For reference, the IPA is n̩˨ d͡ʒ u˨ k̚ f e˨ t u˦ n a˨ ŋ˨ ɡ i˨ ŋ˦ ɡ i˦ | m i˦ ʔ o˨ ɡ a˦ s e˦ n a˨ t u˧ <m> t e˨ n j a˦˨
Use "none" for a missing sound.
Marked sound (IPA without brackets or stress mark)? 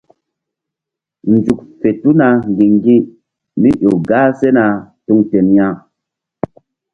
ŋ